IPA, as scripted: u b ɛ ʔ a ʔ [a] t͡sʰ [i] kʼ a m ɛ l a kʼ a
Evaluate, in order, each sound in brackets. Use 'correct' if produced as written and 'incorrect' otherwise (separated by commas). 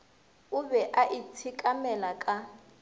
incorrect, correct